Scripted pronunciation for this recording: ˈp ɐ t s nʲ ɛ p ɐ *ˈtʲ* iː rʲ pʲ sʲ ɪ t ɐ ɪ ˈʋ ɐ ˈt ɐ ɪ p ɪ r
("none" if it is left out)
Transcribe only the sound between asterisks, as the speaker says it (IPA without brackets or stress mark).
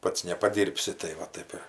dʲ